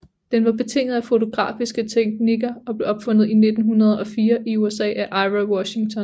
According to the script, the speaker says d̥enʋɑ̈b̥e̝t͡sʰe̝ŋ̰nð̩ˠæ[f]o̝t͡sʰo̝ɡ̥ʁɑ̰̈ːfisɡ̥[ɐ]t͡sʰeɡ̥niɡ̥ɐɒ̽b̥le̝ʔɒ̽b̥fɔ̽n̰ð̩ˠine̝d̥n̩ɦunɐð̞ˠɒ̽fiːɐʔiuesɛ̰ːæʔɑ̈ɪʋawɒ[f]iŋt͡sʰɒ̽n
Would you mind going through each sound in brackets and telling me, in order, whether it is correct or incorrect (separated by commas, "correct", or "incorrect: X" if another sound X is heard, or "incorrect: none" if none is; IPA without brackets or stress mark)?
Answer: correct, incorrect: ə, incorrect: ɕ